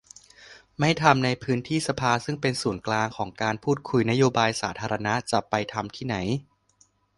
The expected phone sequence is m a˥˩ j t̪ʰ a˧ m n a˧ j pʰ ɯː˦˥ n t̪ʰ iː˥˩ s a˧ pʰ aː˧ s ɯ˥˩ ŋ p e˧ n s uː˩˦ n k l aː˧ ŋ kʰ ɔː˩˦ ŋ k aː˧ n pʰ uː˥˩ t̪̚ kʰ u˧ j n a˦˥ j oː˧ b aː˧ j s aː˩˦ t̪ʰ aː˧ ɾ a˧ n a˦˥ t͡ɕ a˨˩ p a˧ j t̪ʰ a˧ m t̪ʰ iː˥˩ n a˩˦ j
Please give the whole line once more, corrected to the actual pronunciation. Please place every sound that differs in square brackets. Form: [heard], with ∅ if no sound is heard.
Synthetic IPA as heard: m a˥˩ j t̪ʰ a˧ m n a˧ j pʰ ɯː˦˥ n t̪ʰ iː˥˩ s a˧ pʰ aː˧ s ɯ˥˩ ŋ p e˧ n s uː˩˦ n k l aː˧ ŋ kʰ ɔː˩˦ ŋ k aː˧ n pʰ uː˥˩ t̪̚ kʰ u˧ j n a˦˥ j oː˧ b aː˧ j s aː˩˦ t̪ʰ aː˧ ɾ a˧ n a˦˥ t͡ɕ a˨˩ p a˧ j t̪ʰ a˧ m t̪ʰ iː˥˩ n a˩˦ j